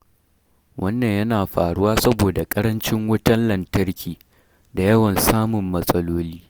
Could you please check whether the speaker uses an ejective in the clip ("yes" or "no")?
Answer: yes